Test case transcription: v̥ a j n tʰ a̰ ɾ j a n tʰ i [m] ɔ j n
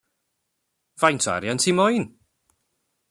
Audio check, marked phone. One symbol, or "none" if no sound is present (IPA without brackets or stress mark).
m